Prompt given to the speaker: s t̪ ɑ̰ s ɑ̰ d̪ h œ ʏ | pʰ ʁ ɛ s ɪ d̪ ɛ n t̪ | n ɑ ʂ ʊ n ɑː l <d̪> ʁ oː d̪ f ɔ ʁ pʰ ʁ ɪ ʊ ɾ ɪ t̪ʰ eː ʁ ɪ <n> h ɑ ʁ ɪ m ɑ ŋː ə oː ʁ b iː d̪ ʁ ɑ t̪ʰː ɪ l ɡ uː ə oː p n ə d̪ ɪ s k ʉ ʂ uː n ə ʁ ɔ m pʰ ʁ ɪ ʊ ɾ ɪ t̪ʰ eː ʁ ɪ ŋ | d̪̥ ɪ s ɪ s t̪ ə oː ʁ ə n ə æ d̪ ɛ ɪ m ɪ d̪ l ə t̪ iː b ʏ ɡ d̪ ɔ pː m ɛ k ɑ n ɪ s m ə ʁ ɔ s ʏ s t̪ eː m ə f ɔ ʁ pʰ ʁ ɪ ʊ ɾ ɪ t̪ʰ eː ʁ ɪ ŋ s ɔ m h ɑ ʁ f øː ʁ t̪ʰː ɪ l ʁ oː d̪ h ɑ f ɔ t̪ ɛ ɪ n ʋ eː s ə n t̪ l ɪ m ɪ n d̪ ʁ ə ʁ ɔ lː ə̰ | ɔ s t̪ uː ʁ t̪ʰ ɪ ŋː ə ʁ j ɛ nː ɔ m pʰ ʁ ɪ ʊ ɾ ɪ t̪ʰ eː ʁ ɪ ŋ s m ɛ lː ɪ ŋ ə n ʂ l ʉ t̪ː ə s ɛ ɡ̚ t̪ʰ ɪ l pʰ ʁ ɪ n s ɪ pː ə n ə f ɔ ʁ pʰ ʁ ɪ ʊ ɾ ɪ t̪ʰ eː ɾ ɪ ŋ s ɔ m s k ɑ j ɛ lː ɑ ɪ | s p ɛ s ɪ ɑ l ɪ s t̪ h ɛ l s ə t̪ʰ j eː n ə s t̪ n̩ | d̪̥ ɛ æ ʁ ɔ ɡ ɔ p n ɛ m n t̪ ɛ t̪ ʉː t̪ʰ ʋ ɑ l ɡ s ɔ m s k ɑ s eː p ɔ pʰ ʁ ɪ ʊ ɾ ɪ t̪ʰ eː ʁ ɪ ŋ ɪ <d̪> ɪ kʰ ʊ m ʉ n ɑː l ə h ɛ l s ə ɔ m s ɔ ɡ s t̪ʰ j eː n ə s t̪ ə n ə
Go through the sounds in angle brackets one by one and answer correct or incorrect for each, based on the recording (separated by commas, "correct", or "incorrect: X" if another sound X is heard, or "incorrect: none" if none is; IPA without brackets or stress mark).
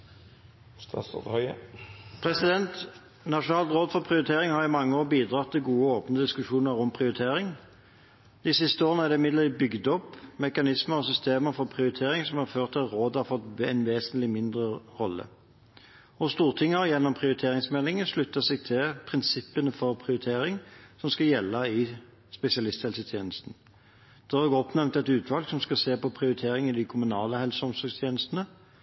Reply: incorrect: t̪, incorrect: ŋ, correct